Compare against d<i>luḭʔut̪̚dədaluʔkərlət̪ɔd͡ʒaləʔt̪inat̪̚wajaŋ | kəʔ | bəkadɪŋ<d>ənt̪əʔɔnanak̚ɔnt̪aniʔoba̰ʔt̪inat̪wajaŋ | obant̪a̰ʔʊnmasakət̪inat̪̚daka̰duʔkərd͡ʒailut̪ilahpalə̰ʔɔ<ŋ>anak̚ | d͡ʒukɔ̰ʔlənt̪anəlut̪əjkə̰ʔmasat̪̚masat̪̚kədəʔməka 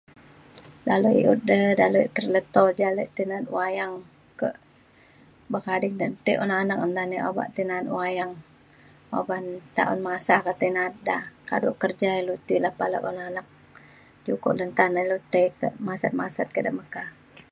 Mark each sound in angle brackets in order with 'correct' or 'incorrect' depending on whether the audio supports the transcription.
incorrect, correct, incorrect

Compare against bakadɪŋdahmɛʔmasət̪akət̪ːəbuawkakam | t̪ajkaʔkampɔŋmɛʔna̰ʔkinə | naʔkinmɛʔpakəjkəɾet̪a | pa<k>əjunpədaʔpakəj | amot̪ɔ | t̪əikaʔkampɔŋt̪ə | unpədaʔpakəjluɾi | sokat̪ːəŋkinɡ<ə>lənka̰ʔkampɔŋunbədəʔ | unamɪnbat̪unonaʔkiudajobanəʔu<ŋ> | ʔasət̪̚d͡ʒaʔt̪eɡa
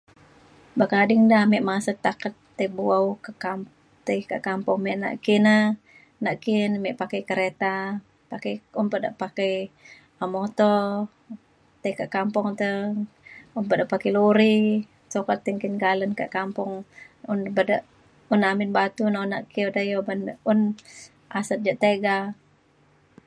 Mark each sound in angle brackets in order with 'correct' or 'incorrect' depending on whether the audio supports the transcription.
correct, incorrect, incorrect

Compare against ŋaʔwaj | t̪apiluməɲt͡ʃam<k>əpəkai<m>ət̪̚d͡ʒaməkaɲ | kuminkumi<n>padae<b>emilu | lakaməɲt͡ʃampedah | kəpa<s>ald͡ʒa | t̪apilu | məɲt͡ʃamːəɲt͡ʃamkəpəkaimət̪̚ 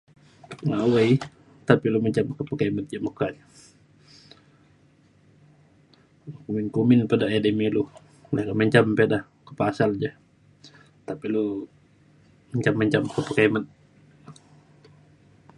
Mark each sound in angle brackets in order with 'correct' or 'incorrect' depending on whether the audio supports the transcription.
correct, correct, correct, incorrect, correct

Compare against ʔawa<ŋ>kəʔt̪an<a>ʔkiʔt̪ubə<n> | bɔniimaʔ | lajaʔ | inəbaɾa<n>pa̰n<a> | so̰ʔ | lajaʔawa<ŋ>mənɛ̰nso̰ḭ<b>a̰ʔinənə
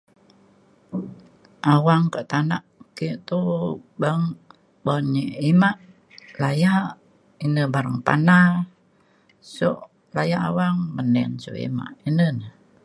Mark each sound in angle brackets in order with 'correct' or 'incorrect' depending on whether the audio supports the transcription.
correct, correct, incorrect, incorrect, correct, correct, incorrect

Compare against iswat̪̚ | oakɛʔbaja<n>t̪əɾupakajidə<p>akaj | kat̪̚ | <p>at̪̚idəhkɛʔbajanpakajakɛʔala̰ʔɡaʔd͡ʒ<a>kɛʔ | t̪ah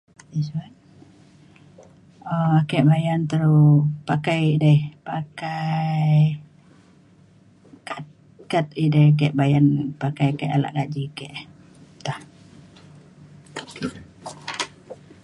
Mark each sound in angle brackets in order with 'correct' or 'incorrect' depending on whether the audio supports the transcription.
correct, correct, incorrect, incorrect

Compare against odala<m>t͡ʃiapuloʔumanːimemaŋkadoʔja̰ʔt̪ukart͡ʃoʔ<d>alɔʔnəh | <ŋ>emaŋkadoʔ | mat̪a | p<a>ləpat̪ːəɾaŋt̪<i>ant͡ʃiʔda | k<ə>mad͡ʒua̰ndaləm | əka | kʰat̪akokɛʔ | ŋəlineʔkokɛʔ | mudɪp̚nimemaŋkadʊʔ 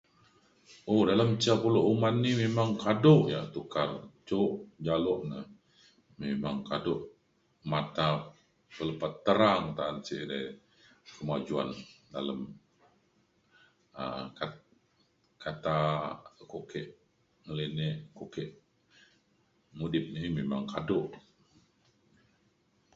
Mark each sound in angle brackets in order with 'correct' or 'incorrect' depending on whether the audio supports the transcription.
correct, incorrect, incorrect, incorrect, incorrect, correct

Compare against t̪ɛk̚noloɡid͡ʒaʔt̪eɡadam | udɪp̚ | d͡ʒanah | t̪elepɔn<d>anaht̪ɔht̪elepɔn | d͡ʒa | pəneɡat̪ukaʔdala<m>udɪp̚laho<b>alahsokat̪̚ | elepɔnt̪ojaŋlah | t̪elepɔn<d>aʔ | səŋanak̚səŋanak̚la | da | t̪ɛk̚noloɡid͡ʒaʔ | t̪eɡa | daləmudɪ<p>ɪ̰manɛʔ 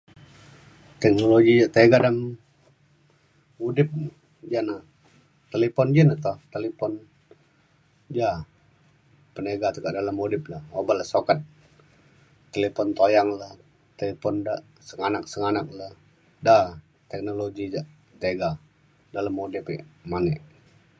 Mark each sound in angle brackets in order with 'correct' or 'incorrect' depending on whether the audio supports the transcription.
incorrect, correct, correct, correct, correct

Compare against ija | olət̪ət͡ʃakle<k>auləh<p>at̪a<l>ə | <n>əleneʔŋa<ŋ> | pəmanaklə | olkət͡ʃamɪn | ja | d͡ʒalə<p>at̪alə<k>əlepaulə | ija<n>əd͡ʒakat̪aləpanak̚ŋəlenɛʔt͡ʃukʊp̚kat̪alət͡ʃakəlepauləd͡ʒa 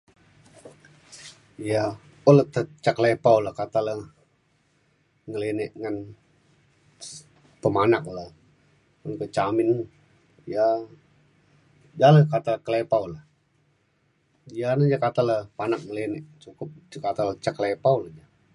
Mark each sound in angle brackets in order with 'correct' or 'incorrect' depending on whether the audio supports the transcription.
incorrect, incorrect, correct, incorrect, incorrect, incorrect, correct, correct

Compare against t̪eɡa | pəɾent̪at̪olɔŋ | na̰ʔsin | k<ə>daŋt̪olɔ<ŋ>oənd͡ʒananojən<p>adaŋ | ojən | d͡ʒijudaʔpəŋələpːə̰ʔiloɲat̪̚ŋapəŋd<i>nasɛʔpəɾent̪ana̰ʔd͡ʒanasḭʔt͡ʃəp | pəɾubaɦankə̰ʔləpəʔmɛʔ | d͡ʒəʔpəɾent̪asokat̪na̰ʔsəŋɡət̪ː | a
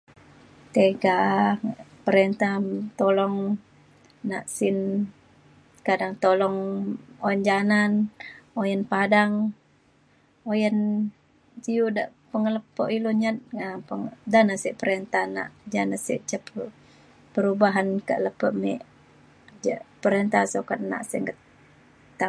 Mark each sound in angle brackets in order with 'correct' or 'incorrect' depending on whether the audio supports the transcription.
incorrect, correct, correct, incorrect

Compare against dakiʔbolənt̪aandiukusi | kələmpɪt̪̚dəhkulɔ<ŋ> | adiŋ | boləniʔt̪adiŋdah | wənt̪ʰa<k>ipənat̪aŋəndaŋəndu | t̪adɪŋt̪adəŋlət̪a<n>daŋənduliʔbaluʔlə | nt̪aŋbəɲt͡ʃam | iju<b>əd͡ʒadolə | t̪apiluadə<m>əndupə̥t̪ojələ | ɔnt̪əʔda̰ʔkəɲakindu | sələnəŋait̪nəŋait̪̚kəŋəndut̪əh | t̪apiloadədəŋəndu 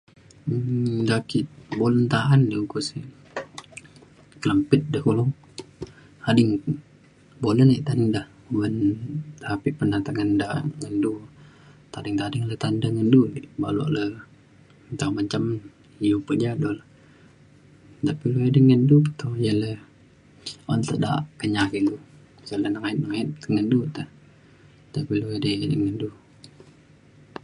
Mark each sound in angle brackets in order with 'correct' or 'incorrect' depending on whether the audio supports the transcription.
correct, incorrect, correct, incorrect, incorrect

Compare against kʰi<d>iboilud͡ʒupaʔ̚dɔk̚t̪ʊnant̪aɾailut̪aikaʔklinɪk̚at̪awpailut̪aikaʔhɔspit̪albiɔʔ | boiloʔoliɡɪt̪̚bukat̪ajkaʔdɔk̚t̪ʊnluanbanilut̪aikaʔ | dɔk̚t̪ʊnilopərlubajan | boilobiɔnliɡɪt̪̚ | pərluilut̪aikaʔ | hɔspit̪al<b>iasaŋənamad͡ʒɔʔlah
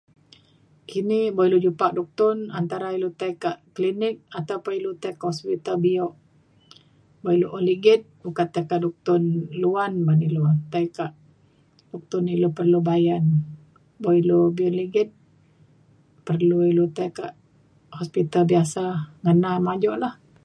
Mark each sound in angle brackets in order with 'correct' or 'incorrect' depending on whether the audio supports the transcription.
incorrect, correct

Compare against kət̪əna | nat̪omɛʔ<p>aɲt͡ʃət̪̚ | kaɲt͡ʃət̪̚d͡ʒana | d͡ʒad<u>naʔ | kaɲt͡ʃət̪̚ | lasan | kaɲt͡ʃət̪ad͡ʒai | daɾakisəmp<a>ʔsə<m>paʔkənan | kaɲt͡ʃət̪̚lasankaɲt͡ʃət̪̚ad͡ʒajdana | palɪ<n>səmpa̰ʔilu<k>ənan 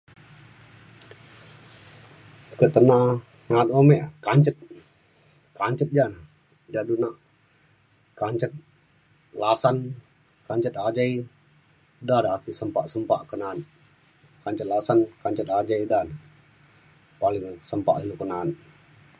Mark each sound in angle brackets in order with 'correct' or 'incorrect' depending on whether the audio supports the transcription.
incorrect, correct, correct, correct, incorrect, correct

